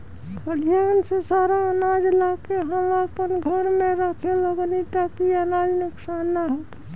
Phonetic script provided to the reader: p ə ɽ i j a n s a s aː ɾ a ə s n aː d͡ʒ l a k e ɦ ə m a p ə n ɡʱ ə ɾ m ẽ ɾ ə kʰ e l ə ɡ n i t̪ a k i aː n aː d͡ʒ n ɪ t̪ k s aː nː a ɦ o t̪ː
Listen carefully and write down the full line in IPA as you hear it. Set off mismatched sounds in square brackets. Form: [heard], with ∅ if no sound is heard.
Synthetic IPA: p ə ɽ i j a n s [e] s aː ɾ a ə [∅] n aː d͡ʒ l a k e ɦ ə m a p ə n ɡʱ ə ɾ m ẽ ɾ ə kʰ e l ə ɡ n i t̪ a k i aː n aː d͡ʒ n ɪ [∅] k s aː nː a ɦ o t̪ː